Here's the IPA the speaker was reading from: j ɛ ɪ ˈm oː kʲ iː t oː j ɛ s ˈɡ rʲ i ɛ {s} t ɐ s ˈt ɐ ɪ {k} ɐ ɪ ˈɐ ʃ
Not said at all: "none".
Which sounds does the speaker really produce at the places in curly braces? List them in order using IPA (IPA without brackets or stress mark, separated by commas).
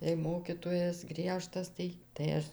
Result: ʃ, t